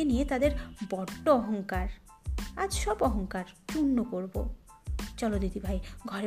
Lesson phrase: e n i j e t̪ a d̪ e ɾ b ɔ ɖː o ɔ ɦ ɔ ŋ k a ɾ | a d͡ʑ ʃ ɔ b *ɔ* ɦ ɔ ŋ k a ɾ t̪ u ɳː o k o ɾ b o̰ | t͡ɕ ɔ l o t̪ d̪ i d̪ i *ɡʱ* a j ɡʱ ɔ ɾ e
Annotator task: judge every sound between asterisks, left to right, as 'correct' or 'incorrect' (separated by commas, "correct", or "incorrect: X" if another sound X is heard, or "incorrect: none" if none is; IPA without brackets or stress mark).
correct, incorrect: bʱ